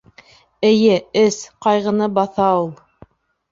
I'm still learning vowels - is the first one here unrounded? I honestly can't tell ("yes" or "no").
yes